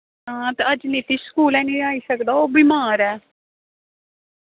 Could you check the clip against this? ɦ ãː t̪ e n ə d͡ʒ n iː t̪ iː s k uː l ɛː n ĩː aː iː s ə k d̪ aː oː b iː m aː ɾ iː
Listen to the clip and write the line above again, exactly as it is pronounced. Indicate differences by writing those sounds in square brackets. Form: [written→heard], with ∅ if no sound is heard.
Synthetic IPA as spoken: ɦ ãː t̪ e [n→∅] ə d͡ʒ n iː t̪ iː s k uː l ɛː n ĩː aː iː s ə k d̪ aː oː b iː m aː ɾ [iː→ɛː]